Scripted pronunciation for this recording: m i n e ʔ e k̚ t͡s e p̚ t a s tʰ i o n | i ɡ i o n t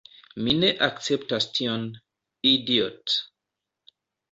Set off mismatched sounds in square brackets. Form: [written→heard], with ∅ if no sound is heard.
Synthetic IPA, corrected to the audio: m i n e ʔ [e→a] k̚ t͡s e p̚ t a s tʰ i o n | i [ɡ→d] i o [n→∅] t